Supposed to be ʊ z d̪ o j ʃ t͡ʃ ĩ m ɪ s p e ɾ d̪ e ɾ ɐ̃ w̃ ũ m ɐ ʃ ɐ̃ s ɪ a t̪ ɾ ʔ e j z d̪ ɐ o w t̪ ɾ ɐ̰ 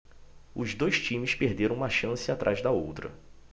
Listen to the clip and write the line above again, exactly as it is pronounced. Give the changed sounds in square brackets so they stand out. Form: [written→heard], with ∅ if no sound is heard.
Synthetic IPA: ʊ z d̪ o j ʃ t͡ʃ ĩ m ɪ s p e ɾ d̪ e ɾ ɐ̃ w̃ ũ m ɐ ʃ ɐ̃ s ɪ a t̪ ɾ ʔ [e→a] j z d̪ ɐ o w t̪ ɾ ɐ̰